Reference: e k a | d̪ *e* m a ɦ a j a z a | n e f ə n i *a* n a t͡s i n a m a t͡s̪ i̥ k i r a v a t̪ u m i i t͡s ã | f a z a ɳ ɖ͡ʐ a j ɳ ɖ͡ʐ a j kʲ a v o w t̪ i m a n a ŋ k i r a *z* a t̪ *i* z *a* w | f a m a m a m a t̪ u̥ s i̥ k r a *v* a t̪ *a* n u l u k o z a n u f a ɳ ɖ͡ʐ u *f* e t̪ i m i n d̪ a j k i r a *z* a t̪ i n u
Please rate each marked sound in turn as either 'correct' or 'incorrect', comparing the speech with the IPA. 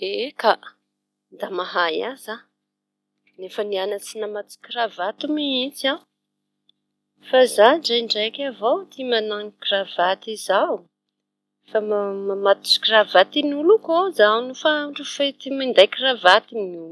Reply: incorrect, correct, incorrect, correct, correct, correct, incorrect, correct, incorrect

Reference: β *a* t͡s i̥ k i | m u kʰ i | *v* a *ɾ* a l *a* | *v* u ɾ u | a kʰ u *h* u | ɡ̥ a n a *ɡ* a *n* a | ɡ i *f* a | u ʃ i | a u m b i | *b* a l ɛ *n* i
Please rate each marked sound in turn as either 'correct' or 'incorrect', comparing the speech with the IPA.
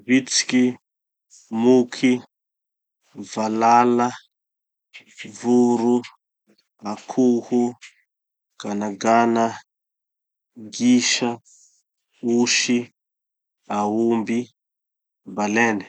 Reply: incorrect, correct, incorrect, correct, correct, correct, correct, correct, incorrect, correct, correct

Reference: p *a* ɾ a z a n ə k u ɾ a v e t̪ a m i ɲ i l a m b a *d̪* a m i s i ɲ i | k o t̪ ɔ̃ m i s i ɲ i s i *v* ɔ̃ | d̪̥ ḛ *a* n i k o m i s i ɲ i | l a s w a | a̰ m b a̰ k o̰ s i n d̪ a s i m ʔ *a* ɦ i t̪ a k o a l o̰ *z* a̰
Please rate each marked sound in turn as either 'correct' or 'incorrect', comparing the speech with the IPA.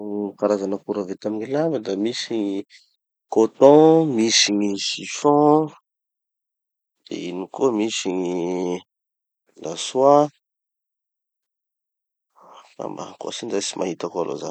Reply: correct, correct, incorrect, incorrect, correct, correct

